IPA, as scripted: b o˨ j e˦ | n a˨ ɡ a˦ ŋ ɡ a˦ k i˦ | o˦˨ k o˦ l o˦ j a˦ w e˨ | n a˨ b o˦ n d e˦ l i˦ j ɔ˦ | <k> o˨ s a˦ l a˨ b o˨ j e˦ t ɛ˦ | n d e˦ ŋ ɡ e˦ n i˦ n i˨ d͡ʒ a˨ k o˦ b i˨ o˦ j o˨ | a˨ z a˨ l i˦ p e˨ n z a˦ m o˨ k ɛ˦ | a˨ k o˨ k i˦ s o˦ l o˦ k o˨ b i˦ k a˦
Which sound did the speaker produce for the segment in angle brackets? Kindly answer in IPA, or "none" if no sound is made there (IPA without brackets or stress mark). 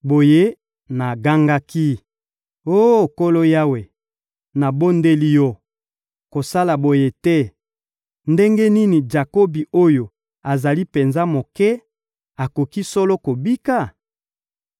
k